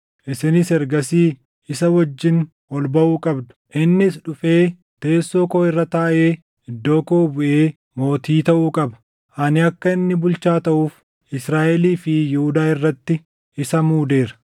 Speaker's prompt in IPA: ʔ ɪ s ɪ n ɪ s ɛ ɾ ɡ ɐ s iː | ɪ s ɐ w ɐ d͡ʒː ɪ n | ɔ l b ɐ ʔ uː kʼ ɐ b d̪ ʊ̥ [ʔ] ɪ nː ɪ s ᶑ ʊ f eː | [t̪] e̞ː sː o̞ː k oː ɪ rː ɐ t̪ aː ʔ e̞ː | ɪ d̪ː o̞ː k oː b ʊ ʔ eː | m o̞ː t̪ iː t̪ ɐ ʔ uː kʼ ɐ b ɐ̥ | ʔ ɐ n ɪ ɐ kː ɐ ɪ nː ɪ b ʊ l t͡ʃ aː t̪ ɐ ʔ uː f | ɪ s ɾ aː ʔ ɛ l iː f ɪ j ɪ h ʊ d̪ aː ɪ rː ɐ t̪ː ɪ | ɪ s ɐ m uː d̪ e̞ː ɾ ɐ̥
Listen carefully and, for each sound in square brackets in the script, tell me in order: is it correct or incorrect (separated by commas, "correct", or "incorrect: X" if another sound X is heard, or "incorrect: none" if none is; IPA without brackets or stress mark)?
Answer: correct, correct